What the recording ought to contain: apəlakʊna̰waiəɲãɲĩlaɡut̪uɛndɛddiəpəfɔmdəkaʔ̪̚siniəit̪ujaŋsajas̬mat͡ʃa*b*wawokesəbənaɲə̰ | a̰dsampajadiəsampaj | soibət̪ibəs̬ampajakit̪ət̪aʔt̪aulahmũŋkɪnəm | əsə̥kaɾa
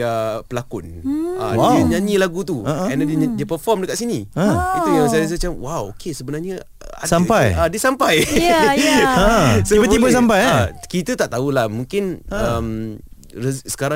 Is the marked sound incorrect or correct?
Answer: incorrect